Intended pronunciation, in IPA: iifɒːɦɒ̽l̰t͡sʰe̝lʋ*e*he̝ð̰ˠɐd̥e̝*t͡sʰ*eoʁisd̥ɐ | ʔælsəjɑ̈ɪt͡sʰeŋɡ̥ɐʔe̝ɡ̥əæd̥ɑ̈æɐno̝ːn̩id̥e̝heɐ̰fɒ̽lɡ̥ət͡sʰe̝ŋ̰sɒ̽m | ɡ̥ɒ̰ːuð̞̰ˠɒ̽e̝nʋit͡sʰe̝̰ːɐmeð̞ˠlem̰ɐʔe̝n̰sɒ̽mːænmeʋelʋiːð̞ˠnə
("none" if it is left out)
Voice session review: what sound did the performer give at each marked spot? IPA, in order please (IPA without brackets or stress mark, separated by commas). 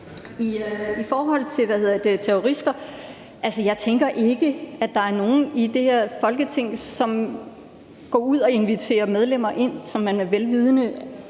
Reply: æ, t͡sʰ